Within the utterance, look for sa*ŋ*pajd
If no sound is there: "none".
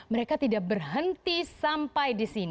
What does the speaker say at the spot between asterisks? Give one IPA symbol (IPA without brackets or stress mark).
m